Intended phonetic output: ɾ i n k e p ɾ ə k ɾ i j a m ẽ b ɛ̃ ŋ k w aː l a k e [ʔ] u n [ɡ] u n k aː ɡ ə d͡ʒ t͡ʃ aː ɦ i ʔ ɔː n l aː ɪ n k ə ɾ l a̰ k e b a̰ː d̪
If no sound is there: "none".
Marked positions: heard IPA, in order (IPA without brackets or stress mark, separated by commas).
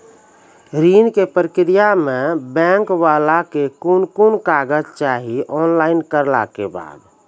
k, k